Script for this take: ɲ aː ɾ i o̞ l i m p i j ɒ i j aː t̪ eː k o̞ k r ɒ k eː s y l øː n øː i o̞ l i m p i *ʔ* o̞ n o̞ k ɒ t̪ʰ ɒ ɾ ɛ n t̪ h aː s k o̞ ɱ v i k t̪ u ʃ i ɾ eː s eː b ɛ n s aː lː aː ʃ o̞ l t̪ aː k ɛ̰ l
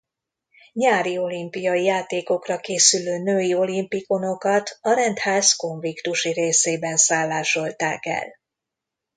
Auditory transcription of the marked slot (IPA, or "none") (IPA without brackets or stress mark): k